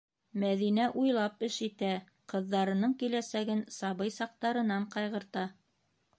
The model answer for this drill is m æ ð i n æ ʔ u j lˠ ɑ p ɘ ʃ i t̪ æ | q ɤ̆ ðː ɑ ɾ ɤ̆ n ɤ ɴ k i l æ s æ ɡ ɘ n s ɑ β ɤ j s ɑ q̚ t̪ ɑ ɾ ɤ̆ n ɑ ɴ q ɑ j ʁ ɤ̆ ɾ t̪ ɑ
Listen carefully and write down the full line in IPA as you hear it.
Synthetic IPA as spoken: m æ ð i n æ ʔ u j lˠ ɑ p ɘ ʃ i t̪ æ | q ɤ̆ ðː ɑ ɾ ɤ̆ n ɤ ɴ k i l æ s æ ɡ ɘ n s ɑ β ɤ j s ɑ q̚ t̪ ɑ ɾ ɤ̆ n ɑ ɴ q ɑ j ʁ ɤ̆ ɾ t̪ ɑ